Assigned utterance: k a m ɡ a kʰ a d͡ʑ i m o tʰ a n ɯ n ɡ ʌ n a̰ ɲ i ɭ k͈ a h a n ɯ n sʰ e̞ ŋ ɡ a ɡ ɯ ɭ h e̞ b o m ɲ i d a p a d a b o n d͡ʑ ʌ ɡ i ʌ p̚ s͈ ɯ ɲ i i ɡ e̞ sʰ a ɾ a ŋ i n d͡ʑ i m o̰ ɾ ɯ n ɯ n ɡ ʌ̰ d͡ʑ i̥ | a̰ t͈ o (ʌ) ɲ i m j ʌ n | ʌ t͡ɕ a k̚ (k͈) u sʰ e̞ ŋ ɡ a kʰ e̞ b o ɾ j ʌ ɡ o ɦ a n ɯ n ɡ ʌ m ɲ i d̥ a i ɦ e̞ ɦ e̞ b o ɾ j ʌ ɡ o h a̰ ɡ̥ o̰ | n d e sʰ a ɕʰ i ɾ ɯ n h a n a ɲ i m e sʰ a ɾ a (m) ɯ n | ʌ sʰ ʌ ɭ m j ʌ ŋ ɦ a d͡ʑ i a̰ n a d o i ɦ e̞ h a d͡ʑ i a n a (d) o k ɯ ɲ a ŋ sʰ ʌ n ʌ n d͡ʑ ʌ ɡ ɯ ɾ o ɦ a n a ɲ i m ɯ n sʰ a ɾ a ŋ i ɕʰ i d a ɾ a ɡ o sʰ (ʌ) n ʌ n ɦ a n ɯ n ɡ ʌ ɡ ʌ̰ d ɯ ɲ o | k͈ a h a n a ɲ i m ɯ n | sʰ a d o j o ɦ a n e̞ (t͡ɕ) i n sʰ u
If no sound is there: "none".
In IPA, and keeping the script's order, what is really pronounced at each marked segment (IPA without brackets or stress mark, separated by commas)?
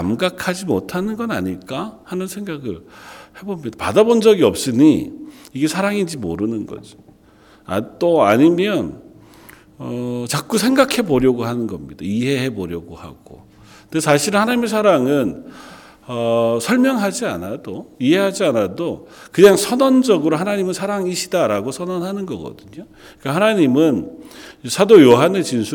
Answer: a, k͈, ŋ, d, ʌ, t͡ɕ